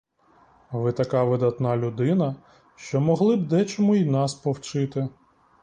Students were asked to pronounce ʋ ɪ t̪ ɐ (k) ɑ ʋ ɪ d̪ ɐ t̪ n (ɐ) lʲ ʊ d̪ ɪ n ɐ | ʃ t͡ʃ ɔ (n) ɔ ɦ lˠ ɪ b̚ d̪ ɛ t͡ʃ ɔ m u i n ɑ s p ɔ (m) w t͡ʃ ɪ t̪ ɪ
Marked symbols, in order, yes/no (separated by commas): yes, no, no, no